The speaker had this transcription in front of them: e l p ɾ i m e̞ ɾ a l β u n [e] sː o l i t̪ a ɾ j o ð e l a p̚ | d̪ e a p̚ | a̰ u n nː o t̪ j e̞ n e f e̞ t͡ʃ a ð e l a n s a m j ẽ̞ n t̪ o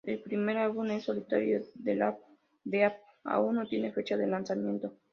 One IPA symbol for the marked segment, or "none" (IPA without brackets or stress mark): e